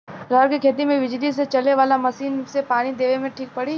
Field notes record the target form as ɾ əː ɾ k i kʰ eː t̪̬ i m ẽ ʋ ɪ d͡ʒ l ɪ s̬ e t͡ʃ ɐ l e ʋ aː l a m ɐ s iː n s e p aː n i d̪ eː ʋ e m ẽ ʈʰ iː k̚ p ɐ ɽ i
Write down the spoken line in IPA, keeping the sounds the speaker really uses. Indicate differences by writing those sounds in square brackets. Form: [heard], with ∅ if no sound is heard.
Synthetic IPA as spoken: ɾ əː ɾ k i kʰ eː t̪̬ i m ẽ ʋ ɪ d͡ʒ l [i] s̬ e t͡ʃ ɐ l e ʋ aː l a m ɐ s iː n s e p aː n i d̪ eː ʋ e m ẽ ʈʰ iː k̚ p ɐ ɽ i